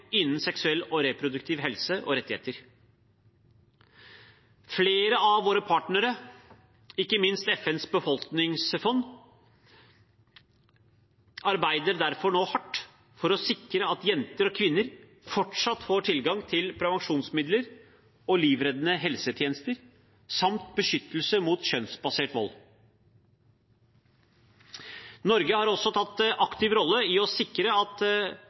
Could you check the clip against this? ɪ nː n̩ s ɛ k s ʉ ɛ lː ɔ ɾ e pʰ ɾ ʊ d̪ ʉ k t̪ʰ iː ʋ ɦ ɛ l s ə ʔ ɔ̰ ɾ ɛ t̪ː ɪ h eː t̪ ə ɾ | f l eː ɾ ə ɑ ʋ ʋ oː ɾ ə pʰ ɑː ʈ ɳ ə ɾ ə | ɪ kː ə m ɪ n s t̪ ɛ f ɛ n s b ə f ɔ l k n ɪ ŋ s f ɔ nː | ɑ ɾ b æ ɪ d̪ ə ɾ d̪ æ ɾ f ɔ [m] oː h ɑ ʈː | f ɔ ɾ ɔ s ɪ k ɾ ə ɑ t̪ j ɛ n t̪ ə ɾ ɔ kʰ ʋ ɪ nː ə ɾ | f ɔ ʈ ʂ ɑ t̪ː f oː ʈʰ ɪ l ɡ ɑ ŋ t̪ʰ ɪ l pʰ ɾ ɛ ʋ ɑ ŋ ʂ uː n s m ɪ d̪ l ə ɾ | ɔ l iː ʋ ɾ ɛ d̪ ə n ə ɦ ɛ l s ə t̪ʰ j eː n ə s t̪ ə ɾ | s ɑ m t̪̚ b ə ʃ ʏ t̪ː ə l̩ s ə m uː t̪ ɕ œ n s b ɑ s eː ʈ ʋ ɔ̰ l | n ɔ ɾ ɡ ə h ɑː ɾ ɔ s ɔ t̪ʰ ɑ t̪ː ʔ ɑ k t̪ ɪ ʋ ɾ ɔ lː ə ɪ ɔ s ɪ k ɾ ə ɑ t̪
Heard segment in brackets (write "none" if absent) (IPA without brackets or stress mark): ɳ